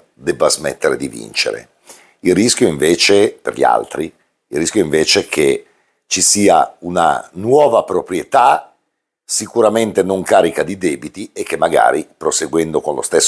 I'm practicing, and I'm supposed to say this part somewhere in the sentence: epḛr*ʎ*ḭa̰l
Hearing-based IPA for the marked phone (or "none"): ʎ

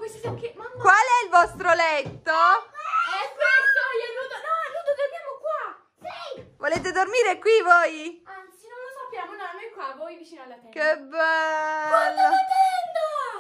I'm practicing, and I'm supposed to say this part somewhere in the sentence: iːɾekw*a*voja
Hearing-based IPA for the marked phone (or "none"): i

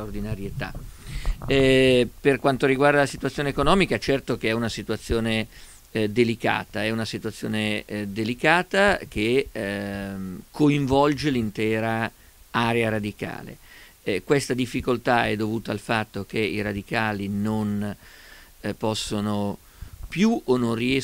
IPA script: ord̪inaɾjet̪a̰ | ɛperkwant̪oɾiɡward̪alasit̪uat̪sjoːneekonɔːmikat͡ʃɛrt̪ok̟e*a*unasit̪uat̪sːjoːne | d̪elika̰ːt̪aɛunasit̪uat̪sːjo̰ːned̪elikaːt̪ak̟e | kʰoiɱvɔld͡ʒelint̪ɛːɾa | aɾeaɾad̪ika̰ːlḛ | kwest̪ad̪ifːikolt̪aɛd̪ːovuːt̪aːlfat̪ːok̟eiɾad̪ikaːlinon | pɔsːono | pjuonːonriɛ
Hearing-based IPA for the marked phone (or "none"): ɛ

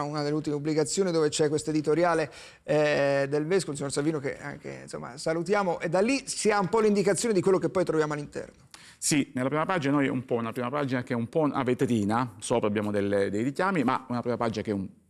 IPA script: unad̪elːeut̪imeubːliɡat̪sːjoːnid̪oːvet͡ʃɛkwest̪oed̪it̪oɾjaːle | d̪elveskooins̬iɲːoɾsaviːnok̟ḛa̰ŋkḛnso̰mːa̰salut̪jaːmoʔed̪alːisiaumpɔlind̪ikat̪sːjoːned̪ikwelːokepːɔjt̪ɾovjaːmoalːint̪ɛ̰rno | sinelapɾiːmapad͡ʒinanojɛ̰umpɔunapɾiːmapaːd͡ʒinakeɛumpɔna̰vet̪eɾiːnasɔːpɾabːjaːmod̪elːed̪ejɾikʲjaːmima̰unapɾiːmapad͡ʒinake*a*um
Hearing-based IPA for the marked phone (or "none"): ɛ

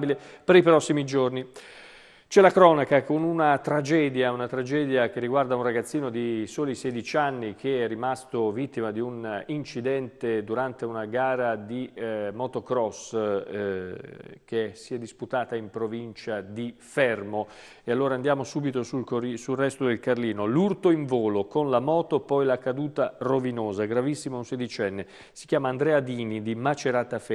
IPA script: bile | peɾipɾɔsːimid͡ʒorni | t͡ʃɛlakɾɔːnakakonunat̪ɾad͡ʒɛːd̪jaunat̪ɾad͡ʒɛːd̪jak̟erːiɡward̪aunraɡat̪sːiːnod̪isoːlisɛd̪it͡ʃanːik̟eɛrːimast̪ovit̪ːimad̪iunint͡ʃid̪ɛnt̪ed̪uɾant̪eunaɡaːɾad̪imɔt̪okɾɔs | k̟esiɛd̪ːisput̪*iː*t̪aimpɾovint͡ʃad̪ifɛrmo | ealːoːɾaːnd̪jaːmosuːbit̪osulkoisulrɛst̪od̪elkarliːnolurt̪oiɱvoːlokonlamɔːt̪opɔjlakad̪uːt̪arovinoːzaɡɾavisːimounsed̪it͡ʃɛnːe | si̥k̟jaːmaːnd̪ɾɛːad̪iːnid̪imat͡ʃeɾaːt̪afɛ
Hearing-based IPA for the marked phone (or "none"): aː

